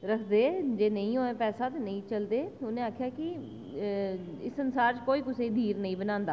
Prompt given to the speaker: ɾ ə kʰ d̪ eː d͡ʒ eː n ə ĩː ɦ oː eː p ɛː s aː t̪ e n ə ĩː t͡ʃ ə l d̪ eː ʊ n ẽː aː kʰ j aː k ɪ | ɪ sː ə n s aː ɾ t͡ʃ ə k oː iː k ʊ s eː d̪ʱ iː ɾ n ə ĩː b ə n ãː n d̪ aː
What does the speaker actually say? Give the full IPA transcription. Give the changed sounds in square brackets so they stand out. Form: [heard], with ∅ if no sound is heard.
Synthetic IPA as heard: ɾ ə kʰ d̪ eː d͡ʒ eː n ə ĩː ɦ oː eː p ɛː s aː t̪ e n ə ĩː t͡ʃ ə l d̪ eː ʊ n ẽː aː kʰ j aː k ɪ | ɪ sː ə n s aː ɾ t͡ʃ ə k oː iː k ʊ s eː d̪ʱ iː ɾ n ə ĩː b ə n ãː n d̪ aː